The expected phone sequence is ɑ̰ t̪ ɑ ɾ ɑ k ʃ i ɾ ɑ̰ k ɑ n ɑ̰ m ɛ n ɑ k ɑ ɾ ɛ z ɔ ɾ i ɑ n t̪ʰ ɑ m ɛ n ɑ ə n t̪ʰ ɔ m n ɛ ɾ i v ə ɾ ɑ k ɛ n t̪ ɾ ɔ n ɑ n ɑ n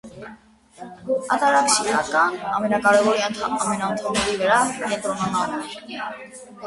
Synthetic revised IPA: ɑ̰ t̪ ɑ ɾ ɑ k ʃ i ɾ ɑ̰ k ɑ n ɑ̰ m ɛ n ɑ k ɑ ɾ ɛ v ɔ ɾ i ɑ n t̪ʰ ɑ m ɛ n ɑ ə n t̪ʰ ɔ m n ɛ ɾ i v ə ɾ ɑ k ɛ n t̪ ɾ ɔ n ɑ n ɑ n